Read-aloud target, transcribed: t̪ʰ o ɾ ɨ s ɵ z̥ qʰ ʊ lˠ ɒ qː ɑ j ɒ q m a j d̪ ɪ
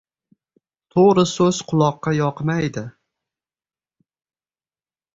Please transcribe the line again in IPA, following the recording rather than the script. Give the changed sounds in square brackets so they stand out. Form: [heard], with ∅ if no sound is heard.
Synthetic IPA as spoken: t̪ʰ o ɾ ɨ s ɵ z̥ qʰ ʊ lˠ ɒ qː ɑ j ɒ q m a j d̪ ɪ